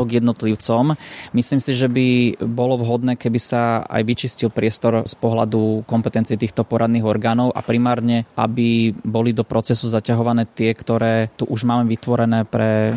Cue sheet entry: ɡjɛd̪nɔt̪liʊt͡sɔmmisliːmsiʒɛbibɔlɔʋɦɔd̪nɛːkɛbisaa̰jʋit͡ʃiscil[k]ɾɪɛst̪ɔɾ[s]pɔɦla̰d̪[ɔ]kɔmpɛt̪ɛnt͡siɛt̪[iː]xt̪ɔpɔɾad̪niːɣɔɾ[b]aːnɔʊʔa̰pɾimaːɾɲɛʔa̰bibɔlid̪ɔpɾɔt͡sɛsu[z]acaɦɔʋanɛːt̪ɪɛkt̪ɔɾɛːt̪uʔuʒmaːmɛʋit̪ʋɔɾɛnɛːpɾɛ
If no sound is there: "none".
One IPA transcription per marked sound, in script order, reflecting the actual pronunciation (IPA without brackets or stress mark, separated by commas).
p, s, u, iː, ɡ, z